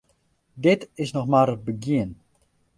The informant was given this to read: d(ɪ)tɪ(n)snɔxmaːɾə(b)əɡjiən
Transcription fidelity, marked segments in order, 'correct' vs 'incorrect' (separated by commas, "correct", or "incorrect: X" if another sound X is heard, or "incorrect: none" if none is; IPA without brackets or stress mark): correct, incorrect: none, correct